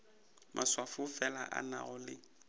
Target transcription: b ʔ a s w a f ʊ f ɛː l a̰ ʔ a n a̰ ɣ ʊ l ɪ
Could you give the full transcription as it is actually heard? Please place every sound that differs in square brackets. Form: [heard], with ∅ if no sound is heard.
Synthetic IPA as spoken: [m] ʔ a s w a f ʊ f [ɛ] l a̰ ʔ a n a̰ ɣ ʊ l ɪ

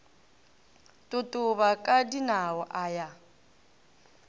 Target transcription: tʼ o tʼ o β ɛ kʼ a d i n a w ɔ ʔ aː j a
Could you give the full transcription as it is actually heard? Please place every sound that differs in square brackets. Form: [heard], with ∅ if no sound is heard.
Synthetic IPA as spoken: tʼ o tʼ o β [a] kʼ a d i n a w ɔ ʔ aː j a

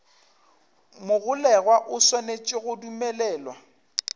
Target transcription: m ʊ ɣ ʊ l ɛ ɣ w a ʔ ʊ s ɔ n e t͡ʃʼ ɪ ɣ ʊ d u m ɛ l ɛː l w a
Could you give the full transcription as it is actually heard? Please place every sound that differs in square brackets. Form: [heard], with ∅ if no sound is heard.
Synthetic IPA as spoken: m ʊ ɣ ʊ l ɛ ɣ w a ʔ ʊ s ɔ n e t͡ʃʼ ɪ ɣ ʊ d u m ɛ l ɛː l w a

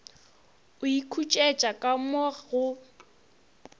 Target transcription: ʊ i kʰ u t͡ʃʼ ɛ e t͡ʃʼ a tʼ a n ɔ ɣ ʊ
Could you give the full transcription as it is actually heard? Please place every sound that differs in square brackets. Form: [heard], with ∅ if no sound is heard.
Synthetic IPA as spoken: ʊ i kʰ u t͡ʃʼ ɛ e t͡ʃʼ a [kʼ] a [m] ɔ ɣ ʊ

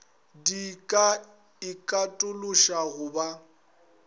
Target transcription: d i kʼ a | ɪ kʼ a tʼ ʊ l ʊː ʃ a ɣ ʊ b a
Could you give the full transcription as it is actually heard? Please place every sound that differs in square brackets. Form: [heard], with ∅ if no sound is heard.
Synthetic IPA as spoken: d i kʼ a | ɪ kʼ a tʼ ʊ l [ʊ] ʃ a ɣ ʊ b a

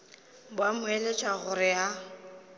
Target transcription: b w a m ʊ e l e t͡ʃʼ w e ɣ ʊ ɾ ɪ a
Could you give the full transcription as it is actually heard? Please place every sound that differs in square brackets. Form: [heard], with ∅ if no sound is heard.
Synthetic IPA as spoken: b w a m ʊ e l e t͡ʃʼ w [a] ɣ ʊ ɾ ɪ a

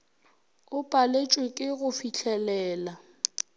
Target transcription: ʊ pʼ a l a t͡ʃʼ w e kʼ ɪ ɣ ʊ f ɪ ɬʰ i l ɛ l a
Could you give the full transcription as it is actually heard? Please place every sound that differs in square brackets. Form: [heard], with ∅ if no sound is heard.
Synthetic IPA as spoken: ʊ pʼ a l [e] t͡ʃʼ w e kʼ ɪ ɣ ʊ f [i] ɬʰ [ɛ] l [ɛː] l a

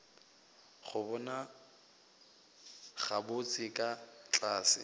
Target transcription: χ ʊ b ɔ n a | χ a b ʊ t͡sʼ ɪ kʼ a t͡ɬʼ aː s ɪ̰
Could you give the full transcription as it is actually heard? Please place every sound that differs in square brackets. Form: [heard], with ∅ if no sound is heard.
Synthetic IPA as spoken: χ ʊ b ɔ n a | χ a b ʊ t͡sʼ ɪ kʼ a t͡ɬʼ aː s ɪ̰

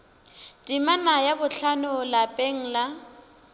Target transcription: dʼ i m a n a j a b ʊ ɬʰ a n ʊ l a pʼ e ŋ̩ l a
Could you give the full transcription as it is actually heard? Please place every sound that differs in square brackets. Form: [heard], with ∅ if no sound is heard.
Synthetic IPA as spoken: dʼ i m a n a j a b ʊ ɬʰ a n ʊ l a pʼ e ŋ̩ l a

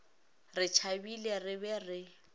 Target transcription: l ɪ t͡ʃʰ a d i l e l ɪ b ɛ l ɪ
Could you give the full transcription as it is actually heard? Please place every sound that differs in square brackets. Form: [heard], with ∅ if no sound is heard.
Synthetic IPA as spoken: [r] ɪ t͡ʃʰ a [b] i l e [r] ɪ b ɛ [r] ɪ

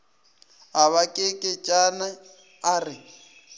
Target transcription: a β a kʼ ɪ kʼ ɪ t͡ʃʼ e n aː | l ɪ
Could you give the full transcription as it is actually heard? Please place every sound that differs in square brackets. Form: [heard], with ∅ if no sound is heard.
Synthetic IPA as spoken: a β a kʼ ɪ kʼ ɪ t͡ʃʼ [a] n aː | [r] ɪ

